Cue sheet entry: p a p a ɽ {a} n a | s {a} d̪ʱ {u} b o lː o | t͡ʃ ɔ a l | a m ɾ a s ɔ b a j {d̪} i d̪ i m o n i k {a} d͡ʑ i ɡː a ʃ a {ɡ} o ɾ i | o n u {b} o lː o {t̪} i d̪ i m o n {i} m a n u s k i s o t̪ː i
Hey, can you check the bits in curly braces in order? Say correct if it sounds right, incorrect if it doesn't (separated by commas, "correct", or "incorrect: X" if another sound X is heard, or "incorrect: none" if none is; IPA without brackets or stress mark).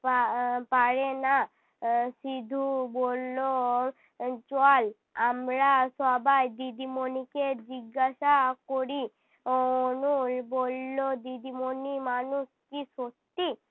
incorrect: e, incorrect: i, correct, correct, incorrect: e, incorrect: k, correct, incorrect: d̪, correct